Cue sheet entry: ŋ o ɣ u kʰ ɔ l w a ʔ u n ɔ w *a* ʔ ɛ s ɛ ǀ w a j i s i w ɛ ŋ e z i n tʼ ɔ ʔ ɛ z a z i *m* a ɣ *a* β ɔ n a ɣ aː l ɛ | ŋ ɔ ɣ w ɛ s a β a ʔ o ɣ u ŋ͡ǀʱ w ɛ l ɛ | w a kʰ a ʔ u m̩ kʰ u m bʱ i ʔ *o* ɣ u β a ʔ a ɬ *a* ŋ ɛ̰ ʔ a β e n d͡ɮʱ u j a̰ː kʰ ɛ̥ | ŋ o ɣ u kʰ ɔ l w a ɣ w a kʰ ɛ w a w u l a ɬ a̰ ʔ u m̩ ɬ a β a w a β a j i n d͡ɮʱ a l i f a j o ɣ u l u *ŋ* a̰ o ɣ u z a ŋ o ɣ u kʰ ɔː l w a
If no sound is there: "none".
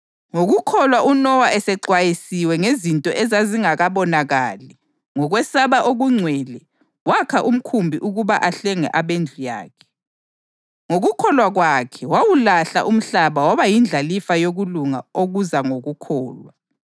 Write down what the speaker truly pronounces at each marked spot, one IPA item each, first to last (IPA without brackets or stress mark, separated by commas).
a, ŋ, a, u, ɛ, ŋ